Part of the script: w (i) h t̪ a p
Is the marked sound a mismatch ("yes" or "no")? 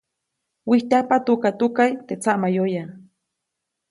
no